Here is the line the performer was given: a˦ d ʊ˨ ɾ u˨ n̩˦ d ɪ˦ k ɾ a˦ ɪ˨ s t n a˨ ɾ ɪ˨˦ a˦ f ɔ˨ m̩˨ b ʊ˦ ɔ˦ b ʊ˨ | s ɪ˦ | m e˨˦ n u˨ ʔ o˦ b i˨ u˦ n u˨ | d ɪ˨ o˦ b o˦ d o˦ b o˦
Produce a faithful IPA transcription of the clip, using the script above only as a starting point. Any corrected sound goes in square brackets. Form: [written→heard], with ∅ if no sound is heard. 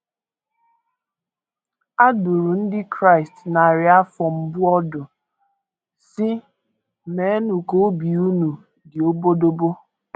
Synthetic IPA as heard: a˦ d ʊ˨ ɾ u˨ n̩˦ d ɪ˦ k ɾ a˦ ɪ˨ s t n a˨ ɾ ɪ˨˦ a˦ f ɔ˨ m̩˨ b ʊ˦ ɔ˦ [b→d] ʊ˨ | s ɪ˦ | m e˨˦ n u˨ [ʔ→k] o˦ b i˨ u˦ n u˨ | d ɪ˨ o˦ b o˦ d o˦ b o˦